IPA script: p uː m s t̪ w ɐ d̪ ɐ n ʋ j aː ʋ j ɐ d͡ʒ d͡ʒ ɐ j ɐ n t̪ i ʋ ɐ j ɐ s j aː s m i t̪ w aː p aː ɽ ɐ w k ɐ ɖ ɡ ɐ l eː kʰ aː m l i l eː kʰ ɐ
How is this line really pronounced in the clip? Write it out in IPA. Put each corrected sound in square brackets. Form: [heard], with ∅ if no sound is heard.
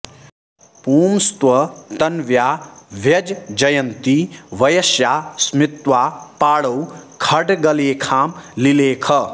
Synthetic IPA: p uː m s t̪ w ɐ [t̪] ɐ n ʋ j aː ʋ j ɐ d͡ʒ d͡ʒ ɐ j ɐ n t̪ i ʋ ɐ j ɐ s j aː s m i t̪ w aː p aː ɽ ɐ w [kʰ] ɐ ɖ ɡ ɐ l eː kʰ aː m l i l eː kʰ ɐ